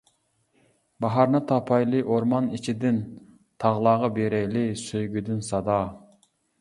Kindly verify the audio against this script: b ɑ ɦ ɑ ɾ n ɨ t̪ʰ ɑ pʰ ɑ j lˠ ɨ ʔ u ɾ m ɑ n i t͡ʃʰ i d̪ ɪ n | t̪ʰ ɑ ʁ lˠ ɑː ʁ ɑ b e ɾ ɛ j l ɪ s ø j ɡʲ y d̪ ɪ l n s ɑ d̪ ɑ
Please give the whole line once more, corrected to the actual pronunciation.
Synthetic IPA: b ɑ ɦ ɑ ɾ n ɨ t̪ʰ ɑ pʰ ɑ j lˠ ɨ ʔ o ɾ m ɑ n i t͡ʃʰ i d̪ ɪ n | t̪ʰ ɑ ʁ lˠ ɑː ʁ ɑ b e ɾ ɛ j l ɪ s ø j ɡʲ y d̪ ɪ n s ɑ d̪ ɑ